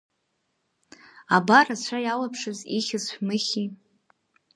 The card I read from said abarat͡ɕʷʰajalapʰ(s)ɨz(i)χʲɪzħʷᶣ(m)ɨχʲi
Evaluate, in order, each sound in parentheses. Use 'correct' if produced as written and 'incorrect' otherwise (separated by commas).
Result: incorrect, correct, correct